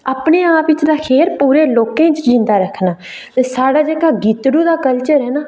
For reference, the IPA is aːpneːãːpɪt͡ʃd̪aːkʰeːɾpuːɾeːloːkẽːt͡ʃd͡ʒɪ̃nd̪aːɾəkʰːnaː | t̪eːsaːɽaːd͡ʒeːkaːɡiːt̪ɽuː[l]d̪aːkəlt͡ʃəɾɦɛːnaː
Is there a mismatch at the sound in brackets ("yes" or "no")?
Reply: yes